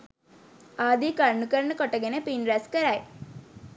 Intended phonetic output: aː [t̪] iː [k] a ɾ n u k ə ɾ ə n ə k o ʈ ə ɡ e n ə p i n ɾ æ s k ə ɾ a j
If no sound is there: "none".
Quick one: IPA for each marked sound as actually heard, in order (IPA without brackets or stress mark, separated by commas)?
d̪, k